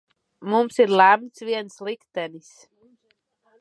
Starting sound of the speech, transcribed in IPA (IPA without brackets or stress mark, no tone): m